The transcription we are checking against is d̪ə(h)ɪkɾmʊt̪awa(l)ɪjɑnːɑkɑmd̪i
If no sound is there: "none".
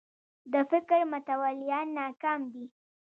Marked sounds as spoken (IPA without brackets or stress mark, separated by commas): f, l